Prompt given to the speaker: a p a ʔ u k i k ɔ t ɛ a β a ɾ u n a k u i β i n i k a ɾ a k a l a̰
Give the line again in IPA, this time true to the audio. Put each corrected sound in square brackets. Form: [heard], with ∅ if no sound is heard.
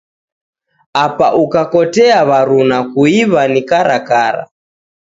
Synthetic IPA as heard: a p a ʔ u k [a] k ɔ t ɛ a β a ɾ u n a k u i β [a] n i k a ɾ a k a [ɾ] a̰